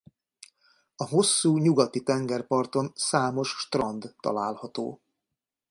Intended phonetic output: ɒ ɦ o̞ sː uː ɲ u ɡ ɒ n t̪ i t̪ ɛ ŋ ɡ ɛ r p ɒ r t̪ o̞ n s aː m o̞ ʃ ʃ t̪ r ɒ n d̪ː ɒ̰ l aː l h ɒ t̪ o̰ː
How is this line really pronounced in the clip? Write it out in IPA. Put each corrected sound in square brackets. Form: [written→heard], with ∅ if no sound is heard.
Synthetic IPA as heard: ɒ ɦ o̞ sː uː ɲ u ɡ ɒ [n→∅] t̪ i t̪ ɛ ŋ ɡ ɛ r p ɒ r t̪ o̞ n s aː m o̞ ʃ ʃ t̪ r ɒ n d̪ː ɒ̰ l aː l h ɒ t̪ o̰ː